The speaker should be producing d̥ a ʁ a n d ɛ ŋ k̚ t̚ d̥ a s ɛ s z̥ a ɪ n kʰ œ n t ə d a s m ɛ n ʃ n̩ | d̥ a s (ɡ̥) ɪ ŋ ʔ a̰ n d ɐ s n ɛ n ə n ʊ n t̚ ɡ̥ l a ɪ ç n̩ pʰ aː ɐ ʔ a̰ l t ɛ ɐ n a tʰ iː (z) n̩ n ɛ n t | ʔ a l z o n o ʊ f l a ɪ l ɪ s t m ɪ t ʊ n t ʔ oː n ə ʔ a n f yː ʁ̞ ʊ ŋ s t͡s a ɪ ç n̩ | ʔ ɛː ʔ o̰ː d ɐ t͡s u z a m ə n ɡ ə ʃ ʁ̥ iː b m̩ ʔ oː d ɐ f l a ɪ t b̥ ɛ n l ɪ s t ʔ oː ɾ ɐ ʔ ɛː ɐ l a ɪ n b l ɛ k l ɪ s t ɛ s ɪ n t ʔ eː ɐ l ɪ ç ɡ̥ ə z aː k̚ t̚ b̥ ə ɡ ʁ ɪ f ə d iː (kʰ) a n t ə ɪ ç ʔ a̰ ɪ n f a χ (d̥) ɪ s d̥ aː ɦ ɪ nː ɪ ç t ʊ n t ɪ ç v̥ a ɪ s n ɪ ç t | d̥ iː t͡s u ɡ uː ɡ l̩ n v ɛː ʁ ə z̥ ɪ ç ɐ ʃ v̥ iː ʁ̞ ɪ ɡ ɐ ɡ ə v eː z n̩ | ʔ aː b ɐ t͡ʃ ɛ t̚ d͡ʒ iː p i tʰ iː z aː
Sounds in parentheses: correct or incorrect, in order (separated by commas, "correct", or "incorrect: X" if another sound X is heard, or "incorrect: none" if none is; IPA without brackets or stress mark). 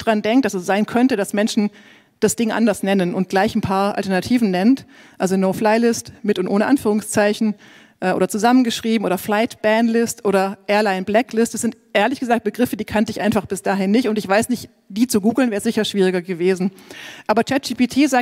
incorrect: d̥, incorrect: v, correct, incorrect: b̥